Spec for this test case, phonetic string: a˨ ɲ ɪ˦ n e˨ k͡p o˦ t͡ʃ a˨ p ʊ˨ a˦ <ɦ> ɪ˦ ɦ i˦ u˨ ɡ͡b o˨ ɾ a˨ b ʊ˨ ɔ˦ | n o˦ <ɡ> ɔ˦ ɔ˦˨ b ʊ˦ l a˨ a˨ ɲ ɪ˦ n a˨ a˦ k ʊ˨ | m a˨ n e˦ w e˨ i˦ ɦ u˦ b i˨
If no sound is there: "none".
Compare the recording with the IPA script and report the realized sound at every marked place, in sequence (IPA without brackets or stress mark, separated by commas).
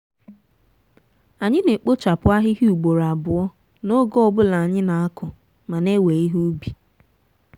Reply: ɦ, ɡ